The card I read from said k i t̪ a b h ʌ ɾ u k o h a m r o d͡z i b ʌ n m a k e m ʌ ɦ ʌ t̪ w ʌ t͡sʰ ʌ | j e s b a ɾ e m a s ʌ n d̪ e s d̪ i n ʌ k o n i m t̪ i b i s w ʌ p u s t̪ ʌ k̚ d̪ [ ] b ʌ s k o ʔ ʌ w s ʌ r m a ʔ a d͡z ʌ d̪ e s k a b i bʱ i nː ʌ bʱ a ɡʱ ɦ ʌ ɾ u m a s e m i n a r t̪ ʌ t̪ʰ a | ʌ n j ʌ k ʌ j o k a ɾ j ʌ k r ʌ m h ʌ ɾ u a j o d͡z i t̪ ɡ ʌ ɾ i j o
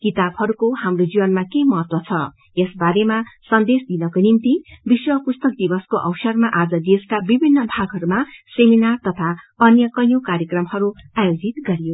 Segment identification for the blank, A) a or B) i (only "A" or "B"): B